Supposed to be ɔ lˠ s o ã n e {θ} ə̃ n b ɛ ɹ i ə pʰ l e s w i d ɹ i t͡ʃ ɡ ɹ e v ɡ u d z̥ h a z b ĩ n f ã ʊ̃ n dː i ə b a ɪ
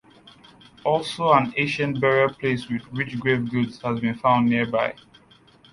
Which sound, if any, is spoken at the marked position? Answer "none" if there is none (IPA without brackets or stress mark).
ʃ